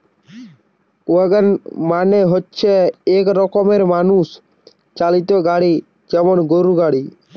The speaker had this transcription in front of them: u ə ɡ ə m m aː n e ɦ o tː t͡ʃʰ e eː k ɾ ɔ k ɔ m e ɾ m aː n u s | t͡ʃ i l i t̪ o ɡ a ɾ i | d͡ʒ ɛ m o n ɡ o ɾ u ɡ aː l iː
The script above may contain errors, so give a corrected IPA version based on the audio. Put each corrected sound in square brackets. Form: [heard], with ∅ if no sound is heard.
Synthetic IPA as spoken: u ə ɡ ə [n] m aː n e ɦ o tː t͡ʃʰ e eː k ɾ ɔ k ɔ m e ɾ m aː n u s | t͡ʃ [a] l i t̪ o ɡ a [ɽ] i | d͡ʒ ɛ m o n ɡ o ɾ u ɡ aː [ɽ] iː